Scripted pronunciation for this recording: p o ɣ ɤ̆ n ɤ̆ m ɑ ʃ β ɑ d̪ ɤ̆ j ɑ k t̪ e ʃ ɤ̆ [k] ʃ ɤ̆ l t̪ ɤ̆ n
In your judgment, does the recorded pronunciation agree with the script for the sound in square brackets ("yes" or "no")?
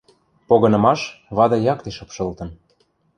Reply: no